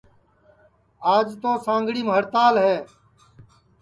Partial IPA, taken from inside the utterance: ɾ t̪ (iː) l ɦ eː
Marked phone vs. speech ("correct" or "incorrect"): incorrect